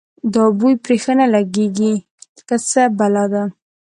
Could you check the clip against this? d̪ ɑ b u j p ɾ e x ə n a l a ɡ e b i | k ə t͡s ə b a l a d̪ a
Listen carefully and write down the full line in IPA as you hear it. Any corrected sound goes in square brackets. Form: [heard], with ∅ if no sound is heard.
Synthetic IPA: d̪ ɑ b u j p ɾ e x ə n a l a ɡ e [ɡ] i | k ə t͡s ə b a l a d̪ a